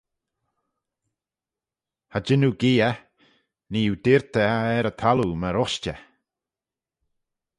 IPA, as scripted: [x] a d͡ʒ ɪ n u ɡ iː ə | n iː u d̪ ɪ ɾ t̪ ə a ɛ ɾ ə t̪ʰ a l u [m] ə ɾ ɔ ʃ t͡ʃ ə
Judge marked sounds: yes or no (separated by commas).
no, yes